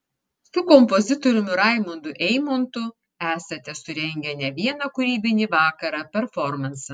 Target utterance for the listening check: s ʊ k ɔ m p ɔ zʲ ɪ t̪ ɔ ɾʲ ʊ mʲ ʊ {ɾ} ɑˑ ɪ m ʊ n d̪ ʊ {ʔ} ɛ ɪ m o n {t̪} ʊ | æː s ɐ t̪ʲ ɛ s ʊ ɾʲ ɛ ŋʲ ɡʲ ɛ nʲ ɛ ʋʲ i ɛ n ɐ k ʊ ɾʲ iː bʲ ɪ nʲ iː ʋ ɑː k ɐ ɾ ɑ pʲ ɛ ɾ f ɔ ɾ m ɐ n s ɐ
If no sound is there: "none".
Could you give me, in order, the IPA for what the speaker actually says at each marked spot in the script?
ɾ, ʔ, t̪

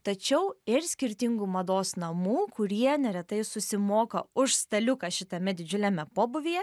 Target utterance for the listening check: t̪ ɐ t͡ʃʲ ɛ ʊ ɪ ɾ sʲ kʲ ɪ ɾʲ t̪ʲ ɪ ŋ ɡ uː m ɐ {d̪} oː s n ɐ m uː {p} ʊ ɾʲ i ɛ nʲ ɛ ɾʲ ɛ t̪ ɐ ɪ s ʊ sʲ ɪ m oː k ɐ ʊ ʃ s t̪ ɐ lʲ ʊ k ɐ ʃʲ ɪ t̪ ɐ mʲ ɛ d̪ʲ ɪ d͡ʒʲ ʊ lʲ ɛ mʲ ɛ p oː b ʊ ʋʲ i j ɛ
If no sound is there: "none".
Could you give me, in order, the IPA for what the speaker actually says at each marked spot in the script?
d̪, k

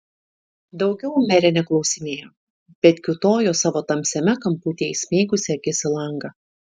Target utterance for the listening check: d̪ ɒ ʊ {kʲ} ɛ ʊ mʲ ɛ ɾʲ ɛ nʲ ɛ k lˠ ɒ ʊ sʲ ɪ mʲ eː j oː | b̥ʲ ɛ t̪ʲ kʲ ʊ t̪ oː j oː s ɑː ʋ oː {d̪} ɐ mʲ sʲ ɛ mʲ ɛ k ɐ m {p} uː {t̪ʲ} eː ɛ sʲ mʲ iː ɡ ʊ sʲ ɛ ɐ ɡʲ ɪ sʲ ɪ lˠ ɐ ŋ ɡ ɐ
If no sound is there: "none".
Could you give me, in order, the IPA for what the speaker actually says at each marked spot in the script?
ɡʲ, t̪, p, t̪ʲ

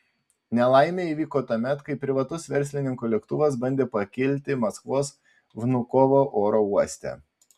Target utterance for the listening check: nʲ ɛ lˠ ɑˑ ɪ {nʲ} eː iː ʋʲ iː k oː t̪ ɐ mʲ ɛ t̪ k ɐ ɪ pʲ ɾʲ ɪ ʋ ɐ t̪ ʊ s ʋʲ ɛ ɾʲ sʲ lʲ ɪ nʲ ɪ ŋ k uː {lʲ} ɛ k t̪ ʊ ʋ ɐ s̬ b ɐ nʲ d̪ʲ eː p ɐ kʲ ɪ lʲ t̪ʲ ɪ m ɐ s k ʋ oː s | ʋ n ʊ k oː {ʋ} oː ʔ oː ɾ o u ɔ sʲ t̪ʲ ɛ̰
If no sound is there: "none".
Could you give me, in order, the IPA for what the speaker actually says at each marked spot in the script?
mʲ, lʲ, ʋ

